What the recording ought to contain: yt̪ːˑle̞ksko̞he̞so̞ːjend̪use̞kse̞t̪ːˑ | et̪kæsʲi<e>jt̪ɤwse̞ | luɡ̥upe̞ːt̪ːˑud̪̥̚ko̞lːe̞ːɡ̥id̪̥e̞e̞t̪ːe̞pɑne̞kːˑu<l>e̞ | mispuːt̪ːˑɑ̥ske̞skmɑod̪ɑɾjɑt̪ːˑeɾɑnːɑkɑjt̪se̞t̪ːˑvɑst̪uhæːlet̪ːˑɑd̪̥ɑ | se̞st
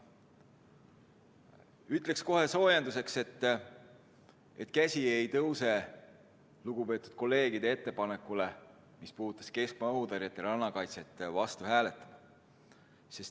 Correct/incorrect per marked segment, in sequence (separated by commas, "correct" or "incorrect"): correct, correct